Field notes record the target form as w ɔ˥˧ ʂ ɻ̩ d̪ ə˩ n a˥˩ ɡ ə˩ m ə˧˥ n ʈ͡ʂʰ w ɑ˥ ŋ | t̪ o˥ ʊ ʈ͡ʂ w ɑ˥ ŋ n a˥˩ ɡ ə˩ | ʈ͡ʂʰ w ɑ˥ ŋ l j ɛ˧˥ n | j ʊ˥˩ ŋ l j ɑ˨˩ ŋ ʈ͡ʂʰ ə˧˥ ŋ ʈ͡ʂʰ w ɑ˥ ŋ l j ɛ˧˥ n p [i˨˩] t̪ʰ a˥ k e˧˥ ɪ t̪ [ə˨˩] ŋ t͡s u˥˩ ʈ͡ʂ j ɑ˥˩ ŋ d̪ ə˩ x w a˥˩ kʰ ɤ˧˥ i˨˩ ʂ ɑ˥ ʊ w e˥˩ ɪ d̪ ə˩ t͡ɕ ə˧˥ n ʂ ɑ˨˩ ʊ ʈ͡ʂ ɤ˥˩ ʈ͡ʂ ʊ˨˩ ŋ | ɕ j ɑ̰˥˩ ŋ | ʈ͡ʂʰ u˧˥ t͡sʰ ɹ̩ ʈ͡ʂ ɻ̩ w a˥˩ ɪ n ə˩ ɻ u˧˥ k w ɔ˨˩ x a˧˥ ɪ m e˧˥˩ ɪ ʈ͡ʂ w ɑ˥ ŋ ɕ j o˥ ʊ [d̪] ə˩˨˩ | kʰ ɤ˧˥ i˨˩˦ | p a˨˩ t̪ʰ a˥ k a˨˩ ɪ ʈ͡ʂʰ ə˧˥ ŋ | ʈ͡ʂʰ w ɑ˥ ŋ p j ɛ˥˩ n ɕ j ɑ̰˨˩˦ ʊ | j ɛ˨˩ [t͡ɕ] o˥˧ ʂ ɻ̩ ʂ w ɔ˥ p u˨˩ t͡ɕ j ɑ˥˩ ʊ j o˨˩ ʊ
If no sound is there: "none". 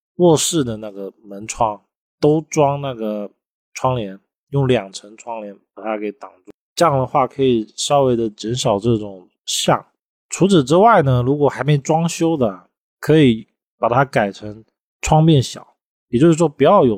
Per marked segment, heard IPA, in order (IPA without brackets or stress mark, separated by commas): a˨˩, ɑ˨˩, d̪, t͡ɕ